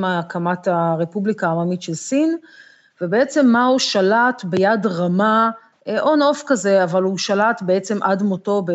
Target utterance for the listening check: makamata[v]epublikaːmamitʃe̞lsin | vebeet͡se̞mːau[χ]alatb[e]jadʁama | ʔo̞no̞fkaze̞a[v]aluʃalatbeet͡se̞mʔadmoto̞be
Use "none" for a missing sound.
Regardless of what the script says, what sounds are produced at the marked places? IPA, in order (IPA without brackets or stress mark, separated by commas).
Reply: ʁ, ʃ, e, v